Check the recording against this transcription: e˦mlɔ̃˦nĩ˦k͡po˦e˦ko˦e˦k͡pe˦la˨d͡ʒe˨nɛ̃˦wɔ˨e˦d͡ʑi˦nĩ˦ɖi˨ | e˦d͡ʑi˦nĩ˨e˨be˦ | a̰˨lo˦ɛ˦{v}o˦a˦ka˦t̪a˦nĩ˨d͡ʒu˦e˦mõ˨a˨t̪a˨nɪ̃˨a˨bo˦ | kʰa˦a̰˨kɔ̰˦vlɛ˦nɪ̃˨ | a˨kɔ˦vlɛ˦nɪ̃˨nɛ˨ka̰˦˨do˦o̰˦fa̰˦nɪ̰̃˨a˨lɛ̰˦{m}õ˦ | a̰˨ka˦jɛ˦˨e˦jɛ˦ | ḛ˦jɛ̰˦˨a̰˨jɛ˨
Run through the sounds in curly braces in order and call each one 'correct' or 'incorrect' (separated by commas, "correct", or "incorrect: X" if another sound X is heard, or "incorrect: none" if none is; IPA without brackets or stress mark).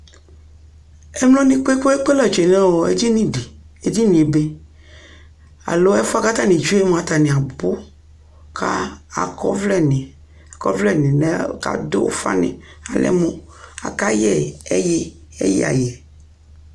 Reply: incorrect: f, correct